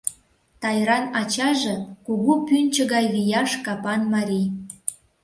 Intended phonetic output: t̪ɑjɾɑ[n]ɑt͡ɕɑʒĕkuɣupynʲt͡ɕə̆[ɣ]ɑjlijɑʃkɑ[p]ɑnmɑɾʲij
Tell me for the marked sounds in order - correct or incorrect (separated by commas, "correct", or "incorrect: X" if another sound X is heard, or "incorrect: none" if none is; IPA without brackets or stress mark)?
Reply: correct, correct, correct